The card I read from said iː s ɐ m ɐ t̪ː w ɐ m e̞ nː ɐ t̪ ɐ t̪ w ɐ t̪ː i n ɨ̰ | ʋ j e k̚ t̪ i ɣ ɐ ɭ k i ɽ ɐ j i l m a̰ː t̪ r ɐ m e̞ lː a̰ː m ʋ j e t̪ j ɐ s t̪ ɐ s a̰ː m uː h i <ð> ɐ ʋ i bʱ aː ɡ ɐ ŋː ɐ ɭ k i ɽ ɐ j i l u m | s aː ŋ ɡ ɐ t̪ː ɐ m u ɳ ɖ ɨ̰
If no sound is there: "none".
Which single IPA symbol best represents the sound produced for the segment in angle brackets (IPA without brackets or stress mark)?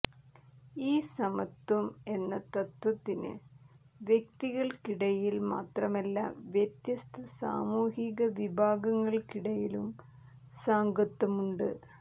ɣ